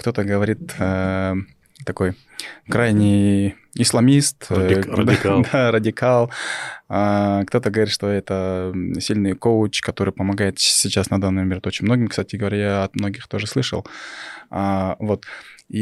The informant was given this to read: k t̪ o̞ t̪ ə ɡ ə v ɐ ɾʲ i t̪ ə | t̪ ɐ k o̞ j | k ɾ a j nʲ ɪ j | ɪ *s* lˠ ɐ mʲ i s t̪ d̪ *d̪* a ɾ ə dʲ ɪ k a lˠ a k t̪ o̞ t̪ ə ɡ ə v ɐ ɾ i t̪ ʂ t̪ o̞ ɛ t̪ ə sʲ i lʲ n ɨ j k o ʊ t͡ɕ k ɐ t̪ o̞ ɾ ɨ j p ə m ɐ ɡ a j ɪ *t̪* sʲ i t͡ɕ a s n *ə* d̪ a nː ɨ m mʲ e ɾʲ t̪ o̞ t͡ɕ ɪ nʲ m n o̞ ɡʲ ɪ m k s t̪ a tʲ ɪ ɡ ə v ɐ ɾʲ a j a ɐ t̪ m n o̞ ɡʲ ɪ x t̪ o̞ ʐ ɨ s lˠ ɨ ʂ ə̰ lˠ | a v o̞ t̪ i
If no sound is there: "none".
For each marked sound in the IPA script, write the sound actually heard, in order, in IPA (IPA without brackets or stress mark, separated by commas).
s, d̪, t̪, ɐ